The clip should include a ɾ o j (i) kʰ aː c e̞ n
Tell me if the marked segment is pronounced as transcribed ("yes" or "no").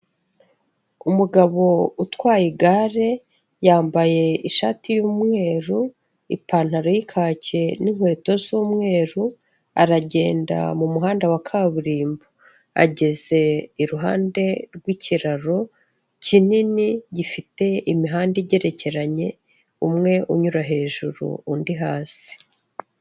yes